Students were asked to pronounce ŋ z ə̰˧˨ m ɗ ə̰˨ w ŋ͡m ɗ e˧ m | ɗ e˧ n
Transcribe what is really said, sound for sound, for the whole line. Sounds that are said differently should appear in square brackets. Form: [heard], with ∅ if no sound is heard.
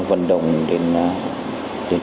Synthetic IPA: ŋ [v] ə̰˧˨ [n] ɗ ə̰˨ w ŋ͡m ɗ e˧ [n] | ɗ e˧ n